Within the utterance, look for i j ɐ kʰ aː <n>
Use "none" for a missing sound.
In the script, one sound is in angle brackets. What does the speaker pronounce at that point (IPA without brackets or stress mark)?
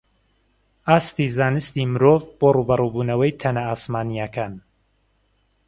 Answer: n